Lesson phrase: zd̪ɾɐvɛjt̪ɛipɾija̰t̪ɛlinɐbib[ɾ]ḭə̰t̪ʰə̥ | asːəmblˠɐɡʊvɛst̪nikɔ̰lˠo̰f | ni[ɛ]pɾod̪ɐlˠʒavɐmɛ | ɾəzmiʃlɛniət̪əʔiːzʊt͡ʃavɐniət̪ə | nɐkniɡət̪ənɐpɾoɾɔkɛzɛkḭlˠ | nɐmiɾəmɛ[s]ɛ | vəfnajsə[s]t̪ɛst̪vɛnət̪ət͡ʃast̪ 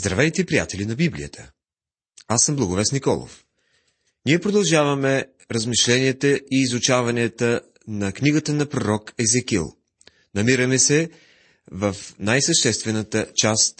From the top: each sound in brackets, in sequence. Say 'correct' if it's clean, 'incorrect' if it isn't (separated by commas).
incorrect, correct, correct, incorrect